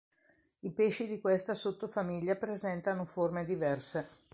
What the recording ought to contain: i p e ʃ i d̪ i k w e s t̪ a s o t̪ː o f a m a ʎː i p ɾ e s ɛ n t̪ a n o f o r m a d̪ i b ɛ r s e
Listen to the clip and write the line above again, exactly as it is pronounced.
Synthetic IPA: i p e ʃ i d̪ i k w e s t̪ a s o t̪ː o f a m i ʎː a p ɾ e z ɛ n t̪ a n o f o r m e d̪ i v ɛ r s e